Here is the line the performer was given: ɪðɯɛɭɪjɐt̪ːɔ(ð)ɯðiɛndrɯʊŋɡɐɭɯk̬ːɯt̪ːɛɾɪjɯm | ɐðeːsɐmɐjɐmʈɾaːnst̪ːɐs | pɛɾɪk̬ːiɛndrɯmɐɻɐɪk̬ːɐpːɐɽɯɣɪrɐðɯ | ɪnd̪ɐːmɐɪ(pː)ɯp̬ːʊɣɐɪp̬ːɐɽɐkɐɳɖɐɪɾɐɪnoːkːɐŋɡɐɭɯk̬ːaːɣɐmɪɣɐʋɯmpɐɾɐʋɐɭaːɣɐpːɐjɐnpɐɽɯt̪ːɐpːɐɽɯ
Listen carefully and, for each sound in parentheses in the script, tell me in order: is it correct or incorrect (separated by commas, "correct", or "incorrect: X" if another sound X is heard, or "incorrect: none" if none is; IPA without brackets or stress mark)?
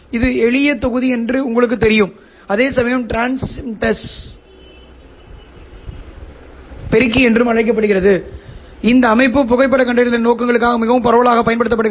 incorrect: ɣ, correct